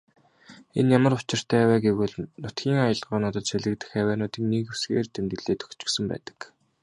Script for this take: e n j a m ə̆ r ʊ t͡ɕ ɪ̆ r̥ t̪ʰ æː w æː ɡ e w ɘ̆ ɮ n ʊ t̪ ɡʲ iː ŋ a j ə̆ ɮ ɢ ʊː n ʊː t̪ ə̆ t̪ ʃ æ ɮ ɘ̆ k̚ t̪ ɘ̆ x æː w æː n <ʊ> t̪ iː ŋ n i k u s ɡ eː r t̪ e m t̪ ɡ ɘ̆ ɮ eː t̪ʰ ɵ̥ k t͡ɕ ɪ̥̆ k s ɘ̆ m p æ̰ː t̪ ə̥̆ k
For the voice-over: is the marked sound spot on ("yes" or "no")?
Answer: no